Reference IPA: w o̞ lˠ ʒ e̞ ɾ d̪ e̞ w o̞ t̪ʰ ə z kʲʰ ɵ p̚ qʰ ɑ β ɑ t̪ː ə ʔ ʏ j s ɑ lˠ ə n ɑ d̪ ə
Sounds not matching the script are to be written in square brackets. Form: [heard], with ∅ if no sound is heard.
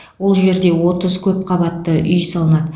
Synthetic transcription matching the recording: w o̞ lˠ ʒ e̞ ɾ d̪ e̞ w o̞ [t̪] ə z kʲʰ ɵ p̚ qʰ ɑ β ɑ t̪ː ə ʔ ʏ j s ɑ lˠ ə n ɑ d̪ ə